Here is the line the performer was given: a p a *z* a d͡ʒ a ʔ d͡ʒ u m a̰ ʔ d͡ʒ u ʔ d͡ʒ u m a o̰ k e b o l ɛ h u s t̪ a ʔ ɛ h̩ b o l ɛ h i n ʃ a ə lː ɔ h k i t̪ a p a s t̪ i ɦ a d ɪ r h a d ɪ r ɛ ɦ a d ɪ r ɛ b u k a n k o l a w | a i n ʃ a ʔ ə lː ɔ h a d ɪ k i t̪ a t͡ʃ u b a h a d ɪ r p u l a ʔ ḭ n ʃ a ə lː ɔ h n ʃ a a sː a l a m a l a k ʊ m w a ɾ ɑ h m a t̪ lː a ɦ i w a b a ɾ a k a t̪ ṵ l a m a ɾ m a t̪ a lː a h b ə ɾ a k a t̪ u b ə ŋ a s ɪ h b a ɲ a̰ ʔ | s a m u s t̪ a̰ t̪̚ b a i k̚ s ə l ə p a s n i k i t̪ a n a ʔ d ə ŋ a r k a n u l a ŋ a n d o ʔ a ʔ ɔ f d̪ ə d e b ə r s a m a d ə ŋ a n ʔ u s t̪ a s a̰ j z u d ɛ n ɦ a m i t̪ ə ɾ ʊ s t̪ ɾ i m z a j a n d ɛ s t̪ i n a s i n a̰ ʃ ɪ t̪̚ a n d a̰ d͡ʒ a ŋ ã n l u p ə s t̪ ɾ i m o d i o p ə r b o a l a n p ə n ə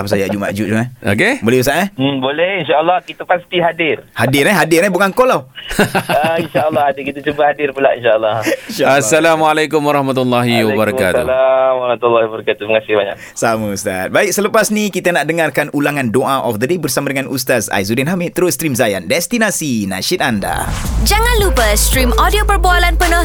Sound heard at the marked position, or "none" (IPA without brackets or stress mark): s